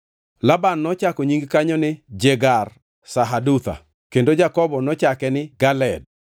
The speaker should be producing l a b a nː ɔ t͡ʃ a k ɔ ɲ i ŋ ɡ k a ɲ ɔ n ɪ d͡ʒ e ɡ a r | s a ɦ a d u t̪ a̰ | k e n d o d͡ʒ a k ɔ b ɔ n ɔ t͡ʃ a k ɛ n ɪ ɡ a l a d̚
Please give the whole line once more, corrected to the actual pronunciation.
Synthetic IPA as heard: l a b a nː ɔ t͡ʃ a k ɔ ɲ i ŋ ɡ k a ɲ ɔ n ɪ d͡ʒ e ɡ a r | s a ɦ a d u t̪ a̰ | k e n d o d͡ʒ a k ɔ b ɔ n ɔ t͡ʃ a k ɛ n ɪ ɡ a l ɛ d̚

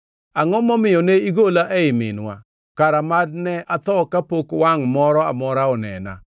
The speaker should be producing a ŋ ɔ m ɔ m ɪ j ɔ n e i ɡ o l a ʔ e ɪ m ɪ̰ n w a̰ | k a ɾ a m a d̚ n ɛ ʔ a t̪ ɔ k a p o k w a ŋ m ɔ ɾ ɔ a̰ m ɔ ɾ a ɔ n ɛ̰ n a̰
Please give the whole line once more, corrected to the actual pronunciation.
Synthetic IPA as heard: a ŋ ɔ m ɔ m ɪ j ɔ n e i ɡ o l a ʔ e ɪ m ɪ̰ n w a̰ | k a ɾ a m a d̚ n ɛ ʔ a t̪ ɔ k a p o k w a ŋ m ɔ ɾ ɔ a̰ m ɔ ɾ a ɔ n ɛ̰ n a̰

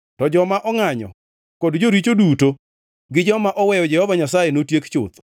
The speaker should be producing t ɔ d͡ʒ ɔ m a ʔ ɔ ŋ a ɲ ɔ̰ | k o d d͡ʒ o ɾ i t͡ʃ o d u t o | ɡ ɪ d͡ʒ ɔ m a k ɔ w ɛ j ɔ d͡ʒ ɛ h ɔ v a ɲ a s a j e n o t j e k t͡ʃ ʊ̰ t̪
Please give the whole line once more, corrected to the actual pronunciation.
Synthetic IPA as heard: t ɔ d͡ʒ ɔ m a ʔ ɔ ŋ a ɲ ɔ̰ | k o d d͡ʒ o ɾ i t͡ʃ o d u t o | ɡ ɪ d͡ʒ ɔ m a ʔ ɔ w ɛ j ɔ d͡ʒ ɛ h ɔ v a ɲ a s a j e n o t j e k t͡ʃ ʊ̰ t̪

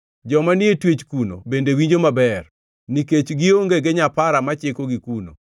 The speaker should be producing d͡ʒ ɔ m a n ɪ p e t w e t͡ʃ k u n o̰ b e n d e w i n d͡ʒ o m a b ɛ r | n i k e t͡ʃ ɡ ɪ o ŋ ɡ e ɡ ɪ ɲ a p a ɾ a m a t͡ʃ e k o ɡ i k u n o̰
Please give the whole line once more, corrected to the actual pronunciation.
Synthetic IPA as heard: d͡ʒ ɔ m a n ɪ e t w e t͡ʃ k u n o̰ b e n d e w i ɲ d͡ʒ o m a b ɛ r | n i k e t͡ʃ ɡ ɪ o ŋ ɡ e ɡ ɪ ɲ a p a ɾ a m a t͡ʃ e k o ɡ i k u n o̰

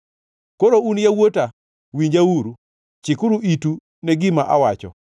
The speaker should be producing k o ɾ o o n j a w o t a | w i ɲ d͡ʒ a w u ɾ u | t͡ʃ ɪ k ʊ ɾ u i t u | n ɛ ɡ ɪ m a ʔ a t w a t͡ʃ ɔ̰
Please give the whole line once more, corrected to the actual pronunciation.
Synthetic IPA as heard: k o ɾ o u n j a w o t a | w i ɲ d͡ʒ a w u ɾ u | t͡ʃ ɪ k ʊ ɾ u i t u | n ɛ ɡ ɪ m a ʔ a w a t͡ʃ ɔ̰

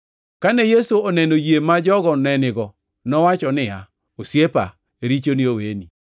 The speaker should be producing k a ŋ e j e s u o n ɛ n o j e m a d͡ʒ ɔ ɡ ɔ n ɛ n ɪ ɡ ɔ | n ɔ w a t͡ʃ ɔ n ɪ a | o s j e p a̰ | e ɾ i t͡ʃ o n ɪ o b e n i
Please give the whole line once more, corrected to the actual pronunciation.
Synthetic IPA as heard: k a n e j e s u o n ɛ n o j e m a d͡ʒ ɔ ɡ ɔ n ɛ n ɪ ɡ ɔ | n ɔ w a t͡ʃ ɔ n ɪ a | o s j e p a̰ | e ɾ i t͡ʃ o n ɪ o w e n i

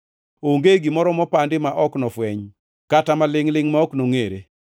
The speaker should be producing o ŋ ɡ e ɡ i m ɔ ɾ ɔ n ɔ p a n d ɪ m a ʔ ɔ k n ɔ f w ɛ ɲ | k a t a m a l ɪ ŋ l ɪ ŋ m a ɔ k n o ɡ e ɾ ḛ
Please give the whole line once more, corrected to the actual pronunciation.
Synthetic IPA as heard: o ŋ ɡ e ɡ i m ɔ ɾ ɔ m ɔ p a n d ɪ m a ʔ ɔ k n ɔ f w ɛ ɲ | k a t a m a l ɪ ŋ l ɪ ŋ m a ɔ k n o ŋ e ɾ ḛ

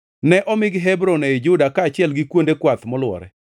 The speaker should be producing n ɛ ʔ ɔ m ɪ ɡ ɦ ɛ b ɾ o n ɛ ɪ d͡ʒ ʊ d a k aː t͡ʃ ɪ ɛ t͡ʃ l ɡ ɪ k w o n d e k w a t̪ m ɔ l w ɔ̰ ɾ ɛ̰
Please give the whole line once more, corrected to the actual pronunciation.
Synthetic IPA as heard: n ɛ ʔ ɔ m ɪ ɡ ɦ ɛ b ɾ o n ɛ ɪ d͡ʒ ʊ d a k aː t͡ʃ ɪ ɛ l ɡ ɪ k w o n d e k w a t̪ m ɔ l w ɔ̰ ɾ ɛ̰

